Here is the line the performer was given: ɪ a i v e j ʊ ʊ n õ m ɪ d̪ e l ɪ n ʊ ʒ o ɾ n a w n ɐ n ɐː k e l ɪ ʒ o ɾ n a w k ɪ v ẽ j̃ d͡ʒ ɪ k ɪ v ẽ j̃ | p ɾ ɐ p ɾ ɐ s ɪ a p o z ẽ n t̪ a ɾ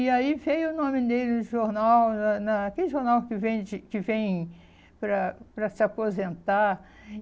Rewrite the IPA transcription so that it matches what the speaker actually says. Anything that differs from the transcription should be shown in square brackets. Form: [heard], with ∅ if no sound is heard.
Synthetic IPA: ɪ a i v e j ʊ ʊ n õ m ɪ d̪ e l ɪ n ʊ ʒ o ɾ n a w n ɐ n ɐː k e l ɪ ʒ o ɾ n a w k ɪ v ẽ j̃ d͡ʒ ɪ k ɪ v ẽ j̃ | p ɾ ɐ p ɾ ɐ s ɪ a p o z ẽ n t̪ a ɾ